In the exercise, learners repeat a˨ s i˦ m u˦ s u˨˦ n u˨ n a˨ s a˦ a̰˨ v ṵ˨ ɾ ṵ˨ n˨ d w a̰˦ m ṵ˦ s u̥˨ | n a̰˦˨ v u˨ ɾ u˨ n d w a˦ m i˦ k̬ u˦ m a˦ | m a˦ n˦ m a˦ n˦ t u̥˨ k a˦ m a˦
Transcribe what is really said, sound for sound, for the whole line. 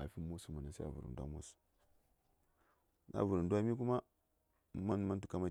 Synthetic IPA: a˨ f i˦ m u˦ s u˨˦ m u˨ n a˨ s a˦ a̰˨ v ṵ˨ ɾ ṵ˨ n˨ d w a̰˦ m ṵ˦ s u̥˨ | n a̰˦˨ v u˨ ɾ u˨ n d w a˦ m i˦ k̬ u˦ m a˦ | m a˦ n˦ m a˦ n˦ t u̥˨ k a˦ m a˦